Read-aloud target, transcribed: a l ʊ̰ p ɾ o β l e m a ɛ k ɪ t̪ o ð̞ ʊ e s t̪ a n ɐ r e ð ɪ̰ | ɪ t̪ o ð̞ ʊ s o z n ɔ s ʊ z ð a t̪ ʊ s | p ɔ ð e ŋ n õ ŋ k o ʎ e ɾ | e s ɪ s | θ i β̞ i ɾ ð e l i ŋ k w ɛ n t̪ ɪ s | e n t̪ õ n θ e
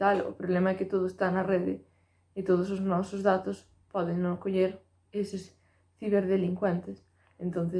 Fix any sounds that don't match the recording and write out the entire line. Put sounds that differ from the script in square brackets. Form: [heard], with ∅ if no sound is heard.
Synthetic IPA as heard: a l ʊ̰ p ɾ o β l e m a ɛ k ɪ t̪ o ð̞ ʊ e s t̪ a n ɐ r e ð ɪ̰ | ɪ t̪ o ð̞ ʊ s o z n ɔ s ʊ z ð a t̪ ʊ s | p ɔ ð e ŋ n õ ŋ k o ʎ e ɾ | e s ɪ s | θ i β̞ [e] ɾ ð e l i ŋ k w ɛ n t̪ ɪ s | e n t̪ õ n θ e